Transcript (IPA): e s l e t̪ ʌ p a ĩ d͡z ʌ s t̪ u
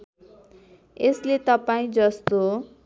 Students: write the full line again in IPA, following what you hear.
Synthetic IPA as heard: e s l e t̪ ʌ p a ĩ d͡z ʌ s t̪ o